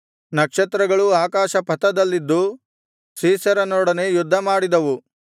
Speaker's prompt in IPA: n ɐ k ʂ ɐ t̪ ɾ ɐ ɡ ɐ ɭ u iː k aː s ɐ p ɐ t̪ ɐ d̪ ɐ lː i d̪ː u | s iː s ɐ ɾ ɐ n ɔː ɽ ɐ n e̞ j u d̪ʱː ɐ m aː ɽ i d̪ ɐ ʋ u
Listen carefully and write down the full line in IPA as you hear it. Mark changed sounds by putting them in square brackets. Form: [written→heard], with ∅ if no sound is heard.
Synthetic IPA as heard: n ɐ k ʂ ɐ t̪ ɾ ɐ ɡ ɐ ɭ u [iː→aː] k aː [s→ʃ] ɐ p ɐ t̪ ɐ d̪ ɐ lː i d̪ː u | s iː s ɐ ɾ ɐ n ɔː ɽ ɐ n e̞ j u d̪ʱː ɐ m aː ɽ i d̪ ɐ ʋ u